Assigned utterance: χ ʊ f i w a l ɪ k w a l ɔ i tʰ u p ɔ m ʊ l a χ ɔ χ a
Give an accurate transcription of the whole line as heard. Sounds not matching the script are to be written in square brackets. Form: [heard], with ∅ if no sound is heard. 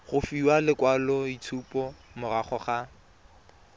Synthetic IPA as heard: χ ʊ f i w a l ɪ k w a l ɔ i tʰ u p ɔ m ʊ [r] a χ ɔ χ a